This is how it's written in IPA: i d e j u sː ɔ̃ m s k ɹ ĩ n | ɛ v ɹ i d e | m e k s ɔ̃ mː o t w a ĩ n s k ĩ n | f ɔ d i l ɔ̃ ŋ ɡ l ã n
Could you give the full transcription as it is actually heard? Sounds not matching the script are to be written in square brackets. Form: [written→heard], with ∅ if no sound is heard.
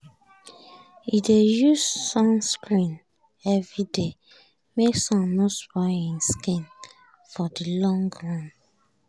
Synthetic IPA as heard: i d e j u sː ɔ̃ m s k ɹ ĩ n | ɛ v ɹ i d e | m e k s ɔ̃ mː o [t→s] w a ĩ n s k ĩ n | f ɔ d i l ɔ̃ ŋ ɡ [l→ɹ] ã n